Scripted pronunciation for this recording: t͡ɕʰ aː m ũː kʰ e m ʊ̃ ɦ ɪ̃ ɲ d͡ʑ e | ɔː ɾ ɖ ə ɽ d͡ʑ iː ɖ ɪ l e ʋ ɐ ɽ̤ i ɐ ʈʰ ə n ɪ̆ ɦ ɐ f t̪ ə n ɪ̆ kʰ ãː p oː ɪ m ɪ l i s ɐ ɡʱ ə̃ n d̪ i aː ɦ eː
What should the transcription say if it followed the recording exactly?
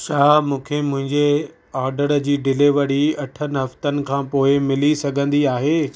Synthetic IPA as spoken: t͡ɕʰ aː m ũː kʰ e m ʊ̃ ɦ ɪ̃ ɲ d͡ʑ e | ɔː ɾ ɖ ə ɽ d͡ʑ iː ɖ ɪ l e ʋ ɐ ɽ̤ i ɐ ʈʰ ə n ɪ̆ ɦ ɐ f t̪ ə n ɪ̆ kʰ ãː p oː ɪ m ɪ l i s ɐ ɡʱ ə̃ n d̪ i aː ɦ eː